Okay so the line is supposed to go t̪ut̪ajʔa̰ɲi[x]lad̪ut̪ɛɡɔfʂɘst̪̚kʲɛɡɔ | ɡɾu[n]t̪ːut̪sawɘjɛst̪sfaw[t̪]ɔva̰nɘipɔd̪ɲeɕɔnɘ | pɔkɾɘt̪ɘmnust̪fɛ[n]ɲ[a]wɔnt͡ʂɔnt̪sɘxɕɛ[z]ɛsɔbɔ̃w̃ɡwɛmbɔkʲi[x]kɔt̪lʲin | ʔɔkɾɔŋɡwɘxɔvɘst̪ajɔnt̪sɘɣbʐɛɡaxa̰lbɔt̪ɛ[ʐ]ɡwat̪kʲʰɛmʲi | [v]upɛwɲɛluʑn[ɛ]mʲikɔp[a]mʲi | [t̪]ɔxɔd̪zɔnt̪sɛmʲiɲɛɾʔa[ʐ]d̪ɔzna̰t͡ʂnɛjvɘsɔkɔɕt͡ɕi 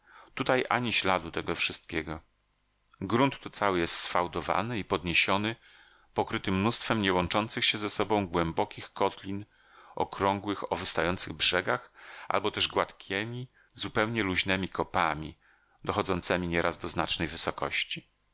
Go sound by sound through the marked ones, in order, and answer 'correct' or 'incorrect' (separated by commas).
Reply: incorrect, correct, incorrect, incorrect, incorrect, correct, correct, correct, incorrect, correct, correct, incorrect, incorrect